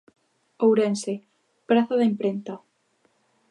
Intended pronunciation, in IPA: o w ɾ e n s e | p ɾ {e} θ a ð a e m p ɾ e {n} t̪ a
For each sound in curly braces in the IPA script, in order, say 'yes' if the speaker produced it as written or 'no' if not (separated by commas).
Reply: no, yes